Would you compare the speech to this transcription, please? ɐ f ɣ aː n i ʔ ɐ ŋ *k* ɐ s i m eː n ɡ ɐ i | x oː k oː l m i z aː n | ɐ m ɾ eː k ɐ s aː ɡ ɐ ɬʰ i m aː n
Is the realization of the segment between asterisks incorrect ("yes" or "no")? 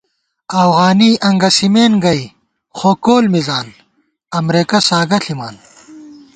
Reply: yes